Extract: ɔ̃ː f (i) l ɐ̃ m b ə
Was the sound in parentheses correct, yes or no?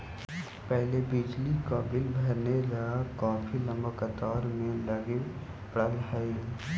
yes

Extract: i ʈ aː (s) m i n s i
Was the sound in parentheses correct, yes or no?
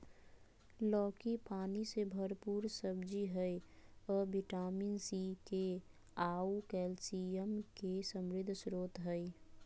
no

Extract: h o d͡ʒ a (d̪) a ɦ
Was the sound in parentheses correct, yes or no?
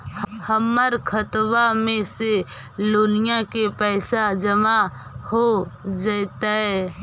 no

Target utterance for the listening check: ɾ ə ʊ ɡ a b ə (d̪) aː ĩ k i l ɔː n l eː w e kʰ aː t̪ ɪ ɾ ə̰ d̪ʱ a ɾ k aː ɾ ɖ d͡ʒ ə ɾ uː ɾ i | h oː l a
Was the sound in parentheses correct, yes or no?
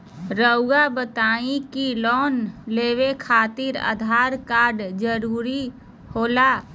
no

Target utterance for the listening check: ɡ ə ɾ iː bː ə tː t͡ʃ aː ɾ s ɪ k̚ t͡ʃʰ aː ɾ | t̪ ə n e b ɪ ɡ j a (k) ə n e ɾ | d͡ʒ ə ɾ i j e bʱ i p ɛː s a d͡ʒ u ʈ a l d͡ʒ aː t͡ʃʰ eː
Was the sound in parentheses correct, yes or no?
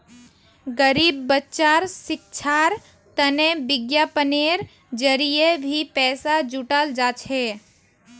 no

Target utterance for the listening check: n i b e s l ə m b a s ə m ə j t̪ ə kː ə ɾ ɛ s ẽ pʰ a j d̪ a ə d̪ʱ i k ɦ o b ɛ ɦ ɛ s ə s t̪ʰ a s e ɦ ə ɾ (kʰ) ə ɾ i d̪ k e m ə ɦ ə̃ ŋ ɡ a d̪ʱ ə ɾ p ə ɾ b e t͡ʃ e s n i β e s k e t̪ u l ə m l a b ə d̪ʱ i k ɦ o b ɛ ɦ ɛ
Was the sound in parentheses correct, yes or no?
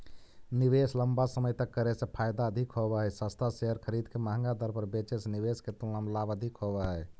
yes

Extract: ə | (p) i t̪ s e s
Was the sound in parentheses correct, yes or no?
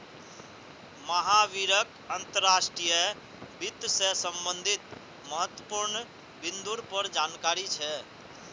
no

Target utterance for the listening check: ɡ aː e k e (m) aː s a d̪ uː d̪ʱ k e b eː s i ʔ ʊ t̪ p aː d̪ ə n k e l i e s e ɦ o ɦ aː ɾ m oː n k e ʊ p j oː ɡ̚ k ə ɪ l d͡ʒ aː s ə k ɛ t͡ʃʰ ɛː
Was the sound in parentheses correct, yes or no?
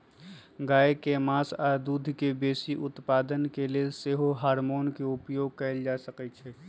yes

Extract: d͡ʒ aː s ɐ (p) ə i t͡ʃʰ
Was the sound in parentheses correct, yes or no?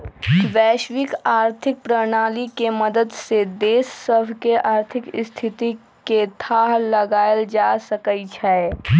no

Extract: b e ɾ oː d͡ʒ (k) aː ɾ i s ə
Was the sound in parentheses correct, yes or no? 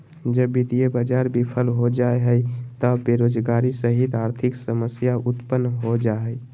no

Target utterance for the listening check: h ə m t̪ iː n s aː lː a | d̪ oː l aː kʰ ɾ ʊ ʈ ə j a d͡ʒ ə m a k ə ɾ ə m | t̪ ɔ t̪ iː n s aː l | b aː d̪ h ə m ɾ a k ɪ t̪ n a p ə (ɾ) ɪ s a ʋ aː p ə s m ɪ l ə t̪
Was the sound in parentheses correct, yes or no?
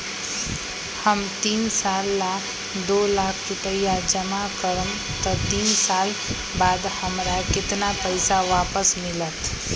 no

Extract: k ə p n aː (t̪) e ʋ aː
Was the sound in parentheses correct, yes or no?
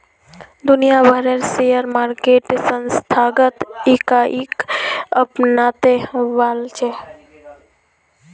yes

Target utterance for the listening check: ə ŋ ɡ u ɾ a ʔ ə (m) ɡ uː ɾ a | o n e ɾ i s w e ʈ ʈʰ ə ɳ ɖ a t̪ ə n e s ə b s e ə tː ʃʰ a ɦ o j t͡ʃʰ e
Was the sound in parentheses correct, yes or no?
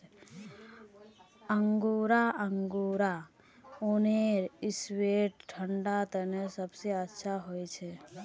no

